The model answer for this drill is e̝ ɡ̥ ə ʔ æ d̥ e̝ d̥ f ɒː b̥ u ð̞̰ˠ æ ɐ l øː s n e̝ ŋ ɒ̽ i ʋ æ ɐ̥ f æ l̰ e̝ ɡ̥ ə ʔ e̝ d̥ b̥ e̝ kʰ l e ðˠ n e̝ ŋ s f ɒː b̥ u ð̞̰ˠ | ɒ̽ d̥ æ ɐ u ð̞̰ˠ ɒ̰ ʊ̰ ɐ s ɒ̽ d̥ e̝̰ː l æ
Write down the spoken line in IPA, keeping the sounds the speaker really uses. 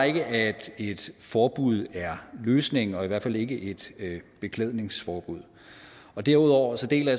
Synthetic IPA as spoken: e̝ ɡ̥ ə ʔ æ d̥ e̝ d̥ f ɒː b̥ u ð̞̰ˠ æ ɐ l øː s n e̝ ŋ ɒ̽ i ʋ æ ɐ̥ f æ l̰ e̝ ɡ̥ ə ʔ e̝ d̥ b̥ e̝ kʰ l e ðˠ n e̝ ŋ s f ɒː b̥ u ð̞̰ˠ | ɒ̽ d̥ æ ɐ u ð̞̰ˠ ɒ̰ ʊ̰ ɐ s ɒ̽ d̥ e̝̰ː l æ